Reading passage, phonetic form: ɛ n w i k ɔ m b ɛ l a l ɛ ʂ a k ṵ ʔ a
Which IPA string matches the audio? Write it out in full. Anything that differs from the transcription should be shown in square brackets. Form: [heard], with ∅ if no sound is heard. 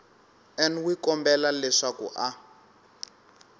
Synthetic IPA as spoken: ɛ n w i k ɔ m b ɛ l a l ɛ ʂ a k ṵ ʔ a

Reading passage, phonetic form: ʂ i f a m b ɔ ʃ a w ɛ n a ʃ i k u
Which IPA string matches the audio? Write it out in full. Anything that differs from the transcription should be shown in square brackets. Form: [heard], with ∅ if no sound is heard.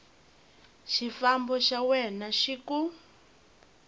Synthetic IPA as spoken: [ʃ] i f a m b ɔ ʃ a w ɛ n a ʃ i k u

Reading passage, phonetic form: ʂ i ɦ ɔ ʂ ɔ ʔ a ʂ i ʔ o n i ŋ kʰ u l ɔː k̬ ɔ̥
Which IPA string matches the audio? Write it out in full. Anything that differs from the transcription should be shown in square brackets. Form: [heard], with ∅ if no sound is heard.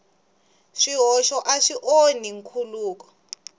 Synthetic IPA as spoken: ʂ i ɦ ɔ [ʃ] ɔ ʔ a ʂ i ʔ o n i ŋ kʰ u l [uː] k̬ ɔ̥

